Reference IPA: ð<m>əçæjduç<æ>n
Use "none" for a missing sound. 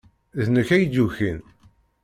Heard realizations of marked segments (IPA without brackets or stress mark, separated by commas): n, i